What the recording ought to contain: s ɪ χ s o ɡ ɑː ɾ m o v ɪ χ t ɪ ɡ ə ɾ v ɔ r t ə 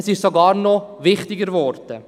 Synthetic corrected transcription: s ɪ ʃ s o ɡ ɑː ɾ n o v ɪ χ t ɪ ɡ ə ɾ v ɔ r t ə